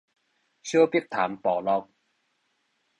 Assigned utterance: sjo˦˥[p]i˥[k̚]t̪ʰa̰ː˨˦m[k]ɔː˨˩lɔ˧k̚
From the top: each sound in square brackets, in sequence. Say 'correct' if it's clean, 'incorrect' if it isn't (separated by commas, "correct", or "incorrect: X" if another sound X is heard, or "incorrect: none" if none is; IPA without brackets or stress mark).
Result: correct, correct, incorrect: p